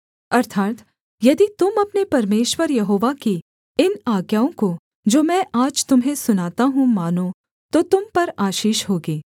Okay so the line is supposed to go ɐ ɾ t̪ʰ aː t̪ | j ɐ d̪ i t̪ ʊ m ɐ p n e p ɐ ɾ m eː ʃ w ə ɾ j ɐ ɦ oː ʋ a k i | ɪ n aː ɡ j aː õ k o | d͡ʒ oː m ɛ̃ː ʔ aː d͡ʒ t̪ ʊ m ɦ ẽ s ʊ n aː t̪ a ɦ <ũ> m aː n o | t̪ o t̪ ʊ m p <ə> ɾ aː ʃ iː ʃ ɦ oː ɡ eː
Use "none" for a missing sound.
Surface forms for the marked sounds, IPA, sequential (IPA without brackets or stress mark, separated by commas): ũ, ɐ